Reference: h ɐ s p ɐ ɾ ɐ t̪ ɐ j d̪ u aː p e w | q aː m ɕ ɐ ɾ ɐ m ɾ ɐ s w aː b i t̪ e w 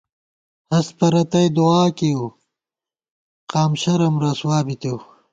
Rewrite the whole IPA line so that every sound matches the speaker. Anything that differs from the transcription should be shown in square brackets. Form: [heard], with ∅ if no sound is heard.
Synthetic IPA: h ɐ s p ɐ ɾ ɐ t̪ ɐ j d̪ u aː [k] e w | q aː m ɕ ɐ ɾ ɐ m ɾ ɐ s w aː b i t̪ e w